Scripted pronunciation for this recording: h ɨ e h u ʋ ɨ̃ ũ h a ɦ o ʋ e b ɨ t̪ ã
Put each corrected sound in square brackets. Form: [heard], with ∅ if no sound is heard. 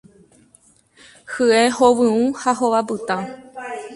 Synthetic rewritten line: h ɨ e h [o] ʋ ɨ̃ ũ h a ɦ o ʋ [a] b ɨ t̪ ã